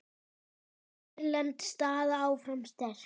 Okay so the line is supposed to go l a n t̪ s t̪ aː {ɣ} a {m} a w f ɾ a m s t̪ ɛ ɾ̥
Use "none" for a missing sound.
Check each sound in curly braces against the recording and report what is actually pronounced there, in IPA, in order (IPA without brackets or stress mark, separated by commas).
ð, none